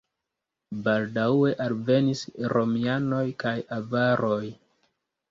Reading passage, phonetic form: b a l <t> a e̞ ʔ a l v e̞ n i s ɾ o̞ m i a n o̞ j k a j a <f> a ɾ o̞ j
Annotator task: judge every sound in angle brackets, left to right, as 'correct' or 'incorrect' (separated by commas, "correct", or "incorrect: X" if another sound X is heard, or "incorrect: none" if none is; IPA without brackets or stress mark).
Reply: incorrect: d, incorrect: v